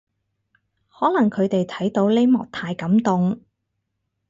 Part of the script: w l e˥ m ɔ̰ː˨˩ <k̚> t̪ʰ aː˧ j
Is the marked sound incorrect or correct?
correct